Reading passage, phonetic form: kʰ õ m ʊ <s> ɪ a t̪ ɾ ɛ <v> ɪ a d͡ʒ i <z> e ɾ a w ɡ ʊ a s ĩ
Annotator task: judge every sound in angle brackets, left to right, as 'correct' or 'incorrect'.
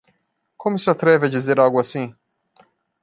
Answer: correct, correct, correct

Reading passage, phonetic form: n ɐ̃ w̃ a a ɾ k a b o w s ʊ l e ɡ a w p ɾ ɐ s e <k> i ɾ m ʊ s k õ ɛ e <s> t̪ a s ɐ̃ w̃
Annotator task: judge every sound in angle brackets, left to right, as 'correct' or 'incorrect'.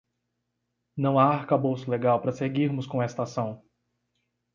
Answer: incorrect, correct

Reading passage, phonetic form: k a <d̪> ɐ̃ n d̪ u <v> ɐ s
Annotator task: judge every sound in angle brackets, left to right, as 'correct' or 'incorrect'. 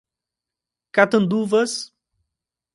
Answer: incorrect, correct

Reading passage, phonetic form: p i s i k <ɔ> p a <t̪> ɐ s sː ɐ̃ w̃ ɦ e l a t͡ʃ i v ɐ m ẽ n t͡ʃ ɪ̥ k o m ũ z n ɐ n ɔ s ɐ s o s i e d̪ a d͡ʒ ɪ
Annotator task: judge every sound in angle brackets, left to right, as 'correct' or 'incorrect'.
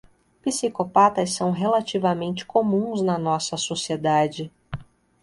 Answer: incorrect, correct

